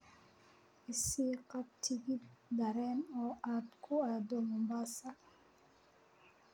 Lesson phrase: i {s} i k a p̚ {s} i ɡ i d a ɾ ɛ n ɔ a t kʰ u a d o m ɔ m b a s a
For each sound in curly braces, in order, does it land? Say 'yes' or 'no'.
yes, no

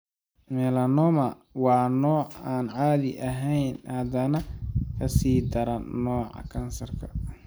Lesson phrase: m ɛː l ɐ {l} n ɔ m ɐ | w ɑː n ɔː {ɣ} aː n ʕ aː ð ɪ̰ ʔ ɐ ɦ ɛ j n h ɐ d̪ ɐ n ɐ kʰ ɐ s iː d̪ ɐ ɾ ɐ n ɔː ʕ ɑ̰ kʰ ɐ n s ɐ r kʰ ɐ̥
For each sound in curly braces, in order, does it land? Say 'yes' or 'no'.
no, no

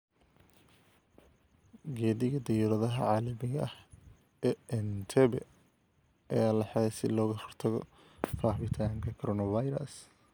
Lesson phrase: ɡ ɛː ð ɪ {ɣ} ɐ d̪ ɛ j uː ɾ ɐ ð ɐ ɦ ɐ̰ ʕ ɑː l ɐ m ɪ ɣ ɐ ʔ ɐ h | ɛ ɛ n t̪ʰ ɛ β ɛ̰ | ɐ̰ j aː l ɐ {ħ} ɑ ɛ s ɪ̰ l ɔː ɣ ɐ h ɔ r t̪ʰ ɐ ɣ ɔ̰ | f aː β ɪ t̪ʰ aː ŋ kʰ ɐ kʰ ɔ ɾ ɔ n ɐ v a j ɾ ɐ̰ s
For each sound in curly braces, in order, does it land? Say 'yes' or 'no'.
yes, yes

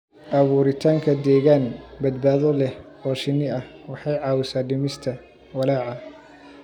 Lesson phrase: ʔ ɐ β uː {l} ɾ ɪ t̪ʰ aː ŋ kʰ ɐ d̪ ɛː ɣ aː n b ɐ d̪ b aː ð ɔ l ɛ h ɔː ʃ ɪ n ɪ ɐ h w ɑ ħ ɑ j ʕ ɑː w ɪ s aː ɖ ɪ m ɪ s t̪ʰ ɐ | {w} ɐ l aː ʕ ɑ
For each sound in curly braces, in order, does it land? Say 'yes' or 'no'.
no, yes

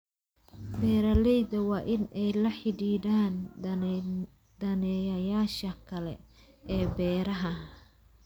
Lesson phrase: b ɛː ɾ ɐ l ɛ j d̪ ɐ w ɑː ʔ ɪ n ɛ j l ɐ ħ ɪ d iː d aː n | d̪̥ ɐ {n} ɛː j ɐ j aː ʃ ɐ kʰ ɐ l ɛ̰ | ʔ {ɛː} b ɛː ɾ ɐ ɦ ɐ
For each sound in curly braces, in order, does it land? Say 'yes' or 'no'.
yes, yes

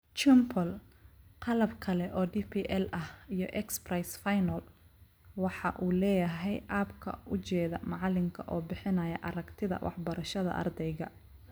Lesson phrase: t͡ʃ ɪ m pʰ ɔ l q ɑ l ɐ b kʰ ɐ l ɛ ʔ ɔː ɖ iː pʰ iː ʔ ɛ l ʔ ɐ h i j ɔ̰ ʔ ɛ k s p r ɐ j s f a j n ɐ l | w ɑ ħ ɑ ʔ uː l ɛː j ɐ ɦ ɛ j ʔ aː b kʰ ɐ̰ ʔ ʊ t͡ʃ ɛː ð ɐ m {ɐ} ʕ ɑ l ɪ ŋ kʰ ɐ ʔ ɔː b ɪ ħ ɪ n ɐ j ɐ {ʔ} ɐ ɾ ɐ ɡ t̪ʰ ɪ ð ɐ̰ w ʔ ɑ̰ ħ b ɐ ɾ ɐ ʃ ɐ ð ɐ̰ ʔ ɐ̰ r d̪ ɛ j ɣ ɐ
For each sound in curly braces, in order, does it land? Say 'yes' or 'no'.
no, yes

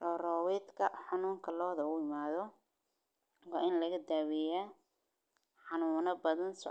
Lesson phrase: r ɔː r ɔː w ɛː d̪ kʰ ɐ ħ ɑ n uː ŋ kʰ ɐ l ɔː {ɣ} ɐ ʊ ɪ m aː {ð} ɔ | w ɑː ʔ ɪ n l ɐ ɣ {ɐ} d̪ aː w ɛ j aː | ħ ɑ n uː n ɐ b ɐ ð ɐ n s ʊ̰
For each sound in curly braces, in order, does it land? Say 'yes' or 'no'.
no, yes, yes

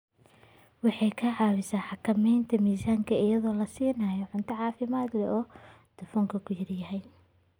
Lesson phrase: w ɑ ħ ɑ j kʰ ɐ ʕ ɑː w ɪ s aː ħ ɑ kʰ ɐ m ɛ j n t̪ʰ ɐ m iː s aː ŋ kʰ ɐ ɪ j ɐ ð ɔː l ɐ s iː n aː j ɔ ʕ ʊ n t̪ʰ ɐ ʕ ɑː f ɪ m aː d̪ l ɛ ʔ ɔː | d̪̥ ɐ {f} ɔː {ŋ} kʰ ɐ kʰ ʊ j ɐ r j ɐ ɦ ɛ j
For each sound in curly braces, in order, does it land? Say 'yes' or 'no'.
yes, yes

